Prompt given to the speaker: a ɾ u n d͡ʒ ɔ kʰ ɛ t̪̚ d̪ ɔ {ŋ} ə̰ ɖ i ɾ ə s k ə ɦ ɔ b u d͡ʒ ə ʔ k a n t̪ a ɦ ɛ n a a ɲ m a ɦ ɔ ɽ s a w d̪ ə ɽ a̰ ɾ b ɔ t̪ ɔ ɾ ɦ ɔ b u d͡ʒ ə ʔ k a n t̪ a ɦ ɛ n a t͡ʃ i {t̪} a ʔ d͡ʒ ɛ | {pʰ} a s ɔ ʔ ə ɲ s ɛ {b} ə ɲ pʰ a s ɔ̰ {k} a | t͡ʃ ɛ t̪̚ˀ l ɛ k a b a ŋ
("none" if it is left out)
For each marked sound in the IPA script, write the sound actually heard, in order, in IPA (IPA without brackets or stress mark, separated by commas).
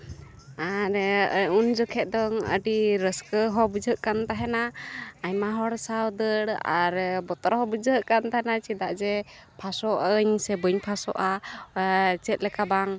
ŋ, d̪, pʰ, b, ʔ